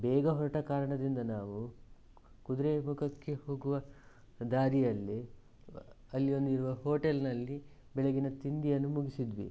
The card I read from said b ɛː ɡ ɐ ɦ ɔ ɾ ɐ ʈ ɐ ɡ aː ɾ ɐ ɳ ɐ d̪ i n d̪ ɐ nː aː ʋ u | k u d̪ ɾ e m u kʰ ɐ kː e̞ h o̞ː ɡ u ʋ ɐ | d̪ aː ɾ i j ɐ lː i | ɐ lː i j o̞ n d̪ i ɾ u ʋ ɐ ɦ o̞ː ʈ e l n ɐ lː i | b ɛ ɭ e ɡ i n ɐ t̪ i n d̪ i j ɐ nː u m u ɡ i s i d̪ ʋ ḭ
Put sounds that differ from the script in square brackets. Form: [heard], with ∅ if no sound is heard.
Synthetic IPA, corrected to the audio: b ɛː ɡ ɐ ɦ ɔ ɾ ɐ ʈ ɐ [k] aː ɾ ɐ ɳ ɐ d̪ i n d̪ ɐ [n] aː ʋ u | k u d̪ ɾ e m u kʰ ɐ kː e̞ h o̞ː ɡ u ʋ ɐ | d̪ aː ɾ i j ɐ lː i | ɐ lː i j o̞ n d̪ i ɾ u ʋ ɐ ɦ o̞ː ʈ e l n ɐ lː i | b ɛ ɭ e ɡ i n ɐ t̪ i n d̪ i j ɐ nː u m u ɡ i s i d̪ ʋ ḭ